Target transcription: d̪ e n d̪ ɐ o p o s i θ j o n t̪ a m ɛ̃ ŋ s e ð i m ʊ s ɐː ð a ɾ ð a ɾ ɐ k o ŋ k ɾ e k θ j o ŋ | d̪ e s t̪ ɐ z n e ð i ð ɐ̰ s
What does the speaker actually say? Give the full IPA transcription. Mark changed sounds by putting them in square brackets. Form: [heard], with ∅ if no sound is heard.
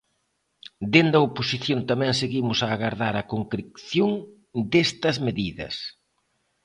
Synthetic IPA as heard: d̪ e n d̪ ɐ o p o s i θ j o n t̪ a m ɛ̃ ŋ s e [ɣ] i m ʊ s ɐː [ɣ] a ɾ ð a ɾ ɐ k o ŋ k ɾ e k θ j o ŋ | d̪ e s t̪ ɐ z [m] e ð i ð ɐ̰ s